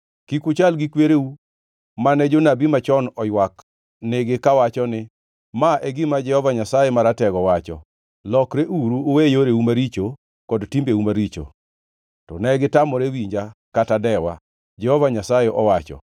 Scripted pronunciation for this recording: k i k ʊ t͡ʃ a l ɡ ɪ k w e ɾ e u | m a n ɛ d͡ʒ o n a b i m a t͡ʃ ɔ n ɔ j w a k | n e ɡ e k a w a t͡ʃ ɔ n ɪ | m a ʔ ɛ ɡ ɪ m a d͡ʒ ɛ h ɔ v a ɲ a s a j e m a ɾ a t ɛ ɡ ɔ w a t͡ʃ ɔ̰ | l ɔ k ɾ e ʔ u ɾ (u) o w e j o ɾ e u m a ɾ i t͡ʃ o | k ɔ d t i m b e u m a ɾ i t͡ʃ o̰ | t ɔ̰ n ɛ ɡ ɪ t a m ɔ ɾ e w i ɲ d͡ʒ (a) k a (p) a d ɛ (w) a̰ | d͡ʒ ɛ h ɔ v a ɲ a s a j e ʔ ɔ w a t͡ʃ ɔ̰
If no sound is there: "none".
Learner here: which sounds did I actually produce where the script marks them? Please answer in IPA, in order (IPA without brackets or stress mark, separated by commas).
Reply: u, a, t, w